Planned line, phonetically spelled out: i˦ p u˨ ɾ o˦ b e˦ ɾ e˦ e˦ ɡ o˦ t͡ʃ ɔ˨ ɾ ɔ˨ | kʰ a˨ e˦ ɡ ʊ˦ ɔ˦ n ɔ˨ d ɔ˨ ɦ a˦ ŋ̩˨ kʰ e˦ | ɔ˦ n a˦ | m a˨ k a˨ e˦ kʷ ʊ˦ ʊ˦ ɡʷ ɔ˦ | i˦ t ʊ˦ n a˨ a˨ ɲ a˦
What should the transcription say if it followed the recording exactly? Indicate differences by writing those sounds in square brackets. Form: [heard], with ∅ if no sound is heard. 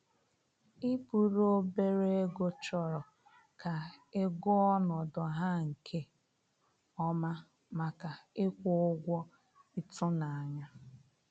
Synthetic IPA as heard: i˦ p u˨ ɾ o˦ b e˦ ɾ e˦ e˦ ɡ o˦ t͡ʃ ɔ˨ ɾ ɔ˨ | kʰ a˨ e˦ ɡ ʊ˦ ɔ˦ n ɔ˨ d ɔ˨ ɦ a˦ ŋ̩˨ kʰ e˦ | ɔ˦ [m] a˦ | m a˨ k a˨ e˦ kʷ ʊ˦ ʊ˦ ɡʷ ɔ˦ | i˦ t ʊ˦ n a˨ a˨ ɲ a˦